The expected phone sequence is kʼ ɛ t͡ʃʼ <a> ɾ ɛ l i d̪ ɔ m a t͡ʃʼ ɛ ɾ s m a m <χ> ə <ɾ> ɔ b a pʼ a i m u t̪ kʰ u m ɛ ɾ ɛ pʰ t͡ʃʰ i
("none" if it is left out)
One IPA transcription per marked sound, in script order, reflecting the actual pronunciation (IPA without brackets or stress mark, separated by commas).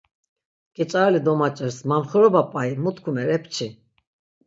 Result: a, χ, ɾ